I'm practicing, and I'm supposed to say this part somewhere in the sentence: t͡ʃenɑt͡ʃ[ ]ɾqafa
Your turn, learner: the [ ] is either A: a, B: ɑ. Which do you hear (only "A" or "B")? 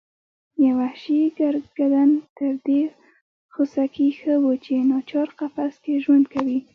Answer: B